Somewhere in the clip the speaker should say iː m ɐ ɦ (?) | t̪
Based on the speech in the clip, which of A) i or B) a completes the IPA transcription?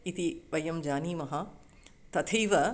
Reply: B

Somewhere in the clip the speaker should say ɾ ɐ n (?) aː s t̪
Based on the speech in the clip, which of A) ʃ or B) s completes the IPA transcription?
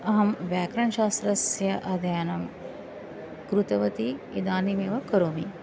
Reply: A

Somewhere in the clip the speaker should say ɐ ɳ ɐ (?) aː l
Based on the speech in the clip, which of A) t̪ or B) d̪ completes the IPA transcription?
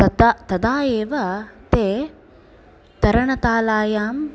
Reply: A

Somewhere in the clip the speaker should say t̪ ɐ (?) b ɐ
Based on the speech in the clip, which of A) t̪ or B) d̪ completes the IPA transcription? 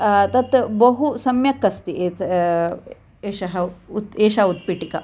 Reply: A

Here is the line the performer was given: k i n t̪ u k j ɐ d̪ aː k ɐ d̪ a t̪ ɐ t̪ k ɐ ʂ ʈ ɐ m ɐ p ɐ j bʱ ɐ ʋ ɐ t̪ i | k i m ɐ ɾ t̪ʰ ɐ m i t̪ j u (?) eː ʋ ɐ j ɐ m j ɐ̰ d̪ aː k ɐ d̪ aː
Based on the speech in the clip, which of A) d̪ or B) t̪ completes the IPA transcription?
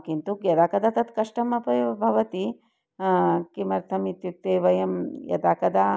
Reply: B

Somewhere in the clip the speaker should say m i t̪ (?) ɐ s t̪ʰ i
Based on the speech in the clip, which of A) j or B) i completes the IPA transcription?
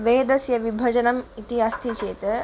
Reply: B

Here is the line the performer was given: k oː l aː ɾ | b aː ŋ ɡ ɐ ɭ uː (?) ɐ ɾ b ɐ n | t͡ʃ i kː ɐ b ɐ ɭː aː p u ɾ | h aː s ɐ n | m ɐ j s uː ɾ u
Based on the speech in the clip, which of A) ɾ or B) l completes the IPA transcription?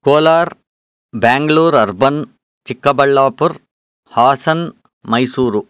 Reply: A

